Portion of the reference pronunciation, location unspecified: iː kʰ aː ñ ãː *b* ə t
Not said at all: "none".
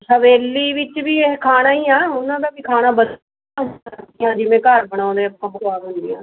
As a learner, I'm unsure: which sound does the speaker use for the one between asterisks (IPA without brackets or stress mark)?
b